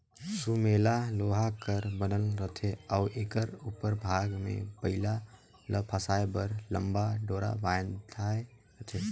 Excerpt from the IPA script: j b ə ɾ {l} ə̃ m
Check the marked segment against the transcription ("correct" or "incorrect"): correct